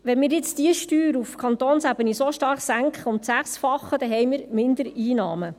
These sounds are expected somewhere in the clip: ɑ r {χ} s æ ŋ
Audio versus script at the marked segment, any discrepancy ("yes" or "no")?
no